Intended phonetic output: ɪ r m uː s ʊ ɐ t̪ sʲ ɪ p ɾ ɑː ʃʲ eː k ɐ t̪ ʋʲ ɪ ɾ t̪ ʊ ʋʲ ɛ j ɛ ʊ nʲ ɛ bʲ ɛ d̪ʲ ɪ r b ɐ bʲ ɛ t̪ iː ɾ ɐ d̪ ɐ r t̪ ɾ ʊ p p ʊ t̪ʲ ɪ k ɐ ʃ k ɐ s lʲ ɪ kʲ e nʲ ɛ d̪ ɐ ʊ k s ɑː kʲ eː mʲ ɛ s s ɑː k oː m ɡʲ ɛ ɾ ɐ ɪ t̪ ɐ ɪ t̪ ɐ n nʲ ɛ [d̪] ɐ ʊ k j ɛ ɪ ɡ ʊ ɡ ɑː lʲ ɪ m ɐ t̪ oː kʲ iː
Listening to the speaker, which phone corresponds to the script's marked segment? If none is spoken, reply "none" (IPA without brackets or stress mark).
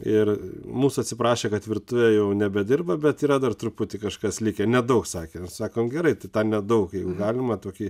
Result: d̪